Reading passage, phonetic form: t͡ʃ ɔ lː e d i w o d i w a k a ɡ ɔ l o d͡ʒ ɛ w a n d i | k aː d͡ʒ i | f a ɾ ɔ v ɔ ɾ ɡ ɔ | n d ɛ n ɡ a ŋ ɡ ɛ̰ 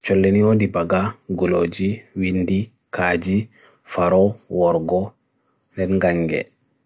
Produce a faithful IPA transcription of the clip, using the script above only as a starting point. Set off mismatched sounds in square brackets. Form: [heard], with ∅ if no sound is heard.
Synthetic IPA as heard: t͡ʃ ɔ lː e [n] i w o d i [b] a [ɡ] a ɡ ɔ l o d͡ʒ [i] w [i] n d i | k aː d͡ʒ i | f a ɾ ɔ [w] ɔ ɾ ɡ ɔ | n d ɛ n ɡ a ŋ ɡ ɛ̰

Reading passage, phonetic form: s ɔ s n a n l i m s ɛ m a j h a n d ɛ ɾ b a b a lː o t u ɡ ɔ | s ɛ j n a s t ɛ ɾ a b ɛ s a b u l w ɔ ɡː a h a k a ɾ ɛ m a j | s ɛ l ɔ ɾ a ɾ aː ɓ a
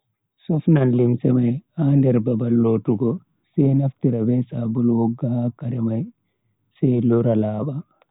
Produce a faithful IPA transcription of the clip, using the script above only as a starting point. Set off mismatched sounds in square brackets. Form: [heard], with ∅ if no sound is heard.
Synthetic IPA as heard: s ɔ [f] n a n l i m s ɛ m a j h a n d ɛ ɾ b a b a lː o t u ɡ ɔ | s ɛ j n a [f] t [i] ɾ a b ɛ s a b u l w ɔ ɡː a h a k a ɾ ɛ m a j | s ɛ l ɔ ɾ a [l] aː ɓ a

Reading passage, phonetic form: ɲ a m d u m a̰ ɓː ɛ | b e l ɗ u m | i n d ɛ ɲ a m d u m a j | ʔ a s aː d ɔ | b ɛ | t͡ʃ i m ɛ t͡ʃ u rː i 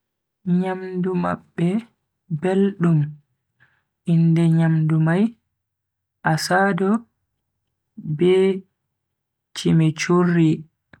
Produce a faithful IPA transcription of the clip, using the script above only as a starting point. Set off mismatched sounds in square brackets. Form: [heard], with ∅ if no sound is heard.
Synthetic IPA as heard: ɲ a m d u m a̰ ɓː ɛ | b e l ɗ u m | i n d ɛ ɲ a m d u m a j | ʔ a s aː d ɔ | b ɛ | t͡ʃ i m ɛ t͡ʃ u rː i

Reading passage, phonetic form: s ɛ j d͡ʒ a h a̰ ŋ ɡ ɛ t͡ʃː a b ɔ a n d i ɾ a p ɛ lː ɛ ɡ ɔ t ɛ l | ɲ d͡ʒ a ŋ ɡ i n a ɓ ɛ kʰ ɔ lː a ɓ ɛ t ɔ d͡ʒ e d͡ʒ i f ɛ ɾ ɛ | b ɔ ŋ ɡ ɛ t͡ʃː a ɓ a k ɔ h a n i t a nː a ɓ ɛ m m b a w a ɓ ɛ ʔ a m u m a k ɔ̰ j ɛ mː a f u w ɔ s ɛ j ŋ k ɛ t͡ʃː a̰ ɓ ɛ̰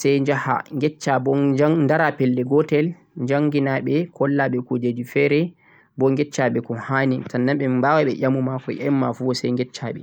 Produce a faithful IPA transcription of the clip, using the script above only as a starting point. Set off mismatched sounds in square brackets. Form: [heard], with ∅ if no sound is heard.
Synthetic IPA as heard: s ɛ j d͡ʒ a h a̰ ŋ ɡ ɛ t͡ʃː a b ɔ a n d [a] ɾ a p ɛ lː ɛ ɡ ɔ t ɛ l | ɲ d͡ʒ a ŋ ɡ i n a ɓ ɛ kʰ ɔ lː a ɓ ɛ [k] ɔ d͡ʒ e d͡ʒ i f ɛ ɾ ɛ | b ɔ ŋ ɡ ɛ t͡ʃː a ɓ [ɛ] k ɔ h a n i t a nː a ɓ ɛ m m b a w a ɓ ɛ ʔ a m u m a k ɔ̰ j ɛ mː a f u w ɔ s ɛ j ŋ [ɡ] ɛ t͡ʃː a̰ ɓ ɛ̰

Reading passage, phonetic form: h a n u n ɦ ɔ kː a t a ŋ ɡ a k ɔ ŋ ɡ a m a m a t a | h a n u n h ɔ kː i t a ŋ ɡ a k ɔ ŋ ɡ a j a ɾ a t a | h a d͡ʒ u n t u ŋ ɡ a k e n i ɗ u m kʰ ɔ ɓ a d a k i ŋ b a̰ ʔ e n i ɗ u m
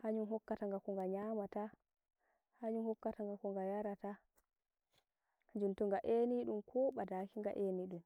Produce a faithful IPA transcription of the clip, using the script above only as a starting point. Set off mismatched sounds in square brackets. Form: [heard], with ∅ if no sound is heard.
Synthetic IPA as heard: h a [ɲ] u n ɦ ɔ kː a t a ŋ ɡ a k ɔ ŋ ɡ a [ɲ] a m a t a | h a [ɲ] u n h ɔ kː [a] t a ŋ ɡ a k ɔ ŋ ɡ a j a ɾ a t a | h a d͡ʒ u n t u ŋ ɡ a [ʔ] e n i ɗ u m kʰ ɔ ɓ a d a k i ŋ [ɡ] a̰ ʔ e n i ɗ u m

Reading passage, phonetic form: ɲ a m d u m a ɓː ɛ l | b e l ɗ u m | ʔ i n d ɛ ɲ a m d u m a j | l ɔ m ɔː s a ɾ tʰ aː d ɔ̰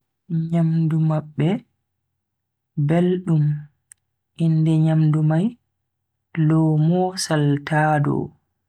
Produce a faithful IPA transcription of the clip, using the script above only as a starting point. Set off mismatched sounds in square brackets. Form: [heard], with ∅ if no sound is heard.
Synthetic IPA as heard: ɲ a m d u m a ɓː ɛ [∅] | b e l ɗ u m | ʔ i n d ɛ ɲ a m d u m a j | l ɔ m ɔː s a [l] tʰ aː d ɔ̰

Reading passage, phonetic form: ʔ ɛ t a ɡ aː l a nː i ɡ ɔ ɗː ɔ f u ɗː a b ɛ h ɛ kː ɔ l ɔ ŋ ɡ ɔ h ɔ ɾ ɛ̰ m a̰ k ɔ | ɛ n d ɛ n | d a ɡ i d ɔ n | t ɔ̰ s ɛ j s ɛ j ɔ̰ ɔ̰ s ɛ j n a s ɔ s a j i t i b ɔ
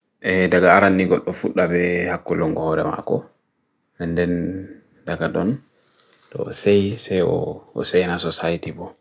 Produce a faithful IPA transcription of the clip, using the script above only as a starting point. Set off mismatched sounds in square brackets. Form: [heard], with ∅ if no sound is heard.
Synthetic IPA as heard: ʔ ɛ [d] a ɡ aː [ɾ] a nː i ɡ ɔ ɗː ɔ f u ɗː a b ɛ h [a] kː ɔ l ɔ ŋ ɡ ɔ h ɔ ɾ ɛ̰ m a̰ k ɔ | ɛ n d ɛ n | d a ɡ [a] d ɔ n | t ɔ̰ s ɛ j s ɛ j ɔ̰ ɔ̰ s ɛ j n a s ɔ s a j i t i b ɔ

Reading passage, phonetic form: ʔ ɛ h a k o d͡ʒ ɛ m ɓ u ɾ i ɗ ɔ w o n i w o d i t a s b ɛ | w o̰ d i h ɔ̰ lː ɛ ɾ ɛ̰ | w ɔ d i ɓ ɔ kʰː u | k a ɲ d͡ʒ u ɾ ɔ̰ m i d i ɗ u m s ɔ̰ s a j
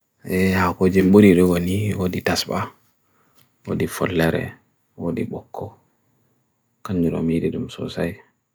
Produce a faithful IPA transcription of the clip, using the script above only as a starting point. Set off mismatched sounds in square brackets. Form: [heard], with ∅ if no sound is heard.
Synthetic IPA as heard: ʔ ɛ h a k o d͡ʒ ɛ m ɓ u ɾ i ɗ ɔ w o n i w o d i t a s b [a] | w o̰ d i [f] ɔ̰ lː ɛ ɾ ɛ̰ | w [o] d i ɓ ɔ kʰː [ɔ] | k a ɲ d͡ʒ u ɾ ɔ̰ m i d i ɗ u m s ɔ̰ s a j

